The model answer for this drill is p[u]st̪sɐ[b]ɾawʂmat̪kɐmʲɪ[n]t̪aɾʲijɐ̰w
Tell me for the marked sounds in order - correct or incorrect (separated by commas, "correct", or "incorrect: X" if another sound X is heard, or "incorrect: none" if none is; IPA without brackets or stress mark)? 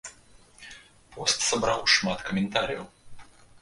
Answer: incorrect: ɔ, correct, correct